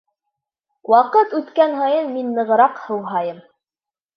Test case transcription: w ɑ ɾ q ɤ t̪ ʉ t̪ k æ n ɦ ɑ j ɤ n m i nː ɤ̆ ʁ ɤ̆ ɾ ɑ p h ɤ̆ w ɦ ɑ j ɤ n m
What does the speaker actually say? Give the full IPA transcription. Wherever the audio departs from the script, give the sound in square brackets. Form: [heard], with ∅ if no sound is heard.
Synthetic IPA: w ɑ [∅] q ɤ t̪ ʉ t̪ k æ n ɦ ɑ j ɤ n m i nː ɤ̆ ʁ ɤ̆ ɾ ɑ [q] h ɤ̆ w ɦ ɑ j ɤ [∅] m